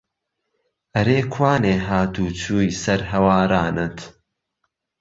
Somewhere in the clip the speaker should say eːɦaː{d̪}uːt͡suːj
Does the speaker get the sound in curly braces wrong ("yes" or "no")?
yes